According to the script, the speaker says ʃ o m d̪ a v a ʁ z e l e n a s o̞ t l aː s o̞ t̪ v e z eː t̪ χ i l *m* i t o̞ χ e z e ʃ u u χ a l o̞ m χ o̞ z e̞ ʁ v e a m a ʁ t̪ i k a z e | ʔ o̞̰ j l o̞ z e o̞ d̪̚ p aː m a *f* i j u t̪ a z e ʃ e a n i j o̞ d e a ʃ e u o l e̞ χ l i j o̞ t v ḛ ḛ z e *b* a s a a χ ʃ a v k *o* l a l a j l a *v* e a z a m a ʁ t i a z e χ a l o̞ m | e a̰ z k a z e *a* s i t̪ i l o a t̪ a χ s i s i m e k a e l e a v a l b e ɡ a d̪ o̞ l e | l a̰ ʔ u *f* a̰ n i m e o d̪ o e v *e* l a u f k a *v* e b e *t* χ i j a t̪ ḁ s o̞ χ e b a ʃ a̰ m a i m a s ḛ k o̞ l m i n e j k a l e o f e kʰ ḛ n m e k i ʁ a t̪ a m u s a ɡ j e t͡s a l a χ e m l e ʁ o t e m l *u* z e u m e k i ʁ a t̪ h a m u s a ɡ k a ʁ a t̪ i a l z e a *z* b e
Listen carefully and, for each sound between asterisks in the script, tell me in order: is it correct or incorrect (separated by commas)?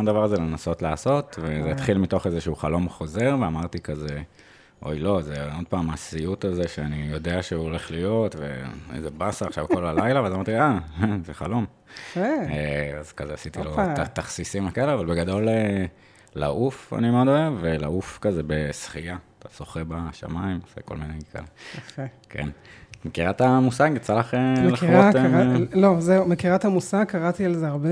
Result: correct, incorrect, correct, correct, correct, correct, correct, correct, incorrect, incorrect, incorrect, incorrect